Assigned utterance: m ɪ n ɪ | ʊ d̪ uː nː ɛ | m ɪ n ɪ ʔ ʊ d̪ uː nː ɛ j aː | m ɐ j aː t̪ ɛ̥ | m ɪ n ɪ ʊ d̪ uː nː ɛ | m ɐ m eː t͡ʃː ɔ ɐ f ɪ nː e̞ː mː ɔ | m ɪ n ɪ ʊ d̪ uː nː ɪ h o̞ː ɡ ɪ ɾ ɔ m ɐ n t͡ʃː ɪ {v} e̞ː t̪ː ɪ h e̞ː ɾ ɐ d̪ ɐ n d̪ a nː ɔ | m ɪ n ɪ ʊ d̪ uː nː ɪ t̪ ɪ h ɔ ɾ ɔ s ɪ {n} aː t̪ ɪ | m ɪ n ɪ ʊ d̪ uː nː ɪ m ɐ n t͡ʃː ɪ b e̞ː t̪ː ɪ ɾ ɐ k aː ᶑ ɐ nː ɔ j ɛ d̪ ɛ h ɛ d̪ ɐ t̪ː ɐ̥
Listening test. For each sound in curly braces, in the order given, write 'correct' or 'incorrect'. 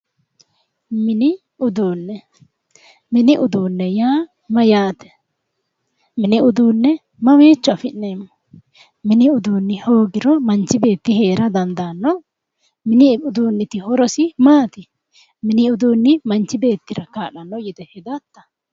incorrect: b, incorrect: m

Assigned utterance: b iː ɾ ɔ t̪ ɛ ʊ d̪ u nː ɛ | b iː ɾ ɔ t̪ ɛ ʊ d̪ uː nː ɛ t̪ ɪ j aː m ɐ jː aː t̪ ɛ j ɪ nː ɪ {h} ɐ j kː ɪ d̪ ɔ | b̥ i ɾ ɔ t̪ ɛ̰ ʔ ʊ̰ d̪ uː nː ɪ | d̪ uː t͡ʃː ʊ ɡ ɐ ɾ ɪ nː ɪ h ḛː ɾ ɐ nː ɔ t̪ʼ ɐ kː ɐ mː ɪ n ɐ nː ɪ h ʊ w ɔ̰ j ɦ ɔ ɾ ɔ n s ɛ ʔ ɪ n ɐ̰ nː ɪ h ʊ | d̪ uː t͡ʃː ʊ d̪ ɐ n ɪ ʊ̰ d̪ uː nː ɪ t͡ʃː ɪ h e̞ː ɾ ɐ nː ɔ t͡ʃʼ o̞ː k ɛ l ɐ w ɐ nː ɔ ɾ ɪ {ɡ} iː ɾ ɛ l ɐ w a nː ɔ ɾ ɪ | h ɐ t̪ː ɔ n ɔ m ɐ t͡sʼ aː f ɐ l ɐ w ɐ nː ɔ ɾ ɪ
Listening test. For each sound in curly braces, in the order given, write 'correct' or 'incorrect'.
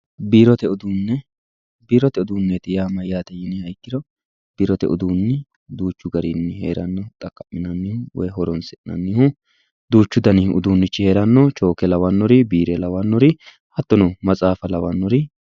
correct, incorrect: b

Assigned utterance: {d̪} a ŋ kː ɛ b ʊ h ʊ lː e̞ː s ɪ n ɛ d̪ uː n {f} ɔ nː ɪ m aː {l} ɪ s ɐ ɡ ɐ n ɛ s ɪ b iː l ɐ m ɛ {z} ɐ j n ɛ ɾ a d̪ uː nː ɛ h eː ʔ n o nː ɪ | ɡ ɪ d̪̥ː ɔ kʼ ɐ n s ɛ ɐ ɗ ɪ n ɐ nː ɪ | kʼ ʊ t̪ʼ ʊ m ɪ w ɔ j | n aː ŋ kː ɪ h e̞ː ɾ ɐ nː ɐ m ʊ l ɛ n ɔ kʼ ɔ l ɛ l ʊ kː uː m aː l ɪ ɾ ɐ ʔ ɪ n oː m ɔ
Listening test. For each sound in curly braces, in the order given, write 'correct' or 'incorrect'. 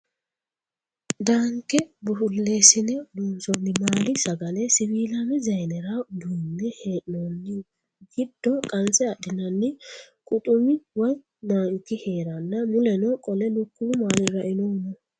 correct, incorrect: s, correct, correct

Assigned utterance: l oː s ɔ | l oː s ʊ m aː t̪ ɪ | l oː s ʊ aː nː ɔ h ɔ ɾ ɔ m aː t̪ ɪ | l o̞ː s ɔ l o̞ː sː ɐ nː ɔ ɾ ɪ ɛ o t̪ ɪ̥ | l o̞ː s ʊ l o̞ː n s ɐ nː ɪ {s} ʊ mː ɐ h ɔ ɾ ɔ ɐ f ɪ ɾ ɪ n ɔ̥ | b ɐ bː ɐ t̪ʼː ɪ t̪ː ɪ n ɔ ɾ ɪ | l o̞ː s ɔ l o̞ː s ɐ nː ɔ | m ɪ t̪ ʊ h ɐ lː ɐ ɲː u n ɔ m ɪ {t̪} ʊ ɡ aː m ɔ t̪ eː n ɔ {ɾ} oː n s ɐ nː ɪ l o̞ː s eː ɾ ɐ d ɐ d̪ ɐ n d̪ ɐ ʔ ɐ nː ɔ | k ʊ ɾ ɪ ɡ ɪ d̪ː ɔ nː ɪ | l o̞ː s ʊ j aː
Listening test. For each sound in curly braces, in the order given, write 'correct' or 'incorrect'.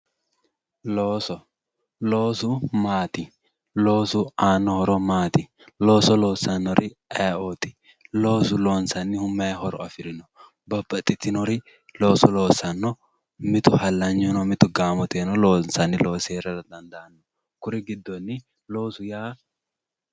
incorrect: h, correct, incorrect: l

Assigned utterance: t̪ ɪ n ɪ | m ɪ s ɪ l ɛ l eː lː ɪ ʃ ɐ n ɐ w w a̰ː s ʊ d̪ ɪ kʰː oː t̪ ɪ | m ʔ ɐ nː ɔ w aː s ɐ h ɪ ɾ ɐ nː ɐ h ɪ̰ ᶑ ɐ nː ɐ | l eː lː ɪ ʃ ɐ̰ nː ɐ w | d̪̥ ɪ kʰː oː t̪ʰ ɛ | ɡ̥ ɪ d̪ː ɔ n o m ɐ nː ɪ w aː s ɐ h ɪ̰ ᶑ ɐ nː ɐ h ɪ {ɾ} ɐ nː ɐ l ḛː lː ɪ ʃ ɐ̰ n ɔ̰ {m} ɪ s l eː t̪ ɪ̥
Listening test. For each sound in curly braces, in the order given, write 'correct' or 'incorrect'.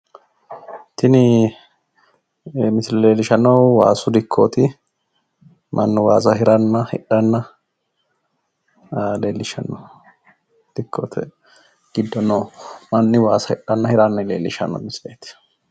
correct, correct

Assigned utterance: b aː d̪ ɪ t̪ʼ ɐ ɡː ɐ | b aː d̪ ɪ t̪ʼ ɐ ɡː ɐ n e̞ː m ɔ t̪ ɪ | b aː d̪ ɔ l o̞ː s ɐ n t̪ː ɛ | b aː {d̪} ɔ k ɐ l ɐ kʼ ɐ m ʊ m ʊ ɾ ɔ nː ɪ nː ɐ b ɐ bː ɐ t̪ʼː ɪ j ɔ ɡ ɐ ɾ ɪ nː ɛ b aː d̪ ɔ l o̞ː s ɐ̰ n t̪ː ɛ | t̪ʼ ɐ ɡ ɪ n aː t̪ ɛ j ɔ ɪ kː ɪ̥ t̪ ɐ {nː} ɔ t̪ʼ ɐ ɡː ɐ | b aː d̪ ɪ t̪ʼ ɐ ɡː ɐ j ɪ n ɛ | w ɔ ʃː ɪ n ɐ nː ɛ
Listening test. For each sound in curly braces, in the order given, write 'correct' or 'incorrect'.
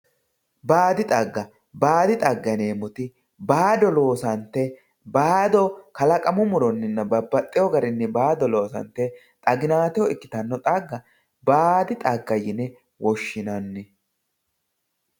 correct, correct

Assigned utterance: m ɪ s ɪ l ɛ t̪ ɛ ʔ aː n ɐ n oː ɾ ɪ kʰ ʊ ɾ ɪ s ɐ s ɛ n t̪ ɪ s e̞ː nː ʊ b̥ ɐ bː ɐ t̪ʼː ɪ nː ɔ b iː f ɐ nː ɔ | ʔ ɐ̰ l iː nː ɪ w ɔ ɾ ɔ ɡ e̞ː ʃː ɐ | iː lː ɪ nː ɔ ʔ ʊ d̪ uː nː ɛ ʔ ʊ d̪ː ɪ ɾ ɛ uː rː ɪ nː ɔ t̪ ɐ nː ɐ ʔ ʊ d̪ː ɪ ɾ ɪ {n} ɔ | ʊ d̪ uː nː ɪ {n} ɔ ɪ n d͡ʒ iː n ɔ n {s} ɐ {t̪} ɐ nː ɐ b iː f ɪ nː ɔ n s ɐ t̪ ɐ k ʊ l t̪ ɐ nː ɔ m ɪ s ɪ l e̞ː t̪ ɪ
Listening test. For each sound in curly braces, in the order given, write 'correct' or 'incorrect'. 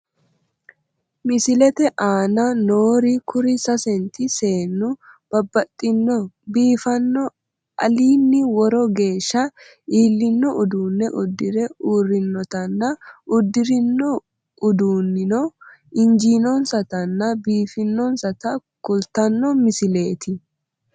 incorrect: nː, correct, correct, correct

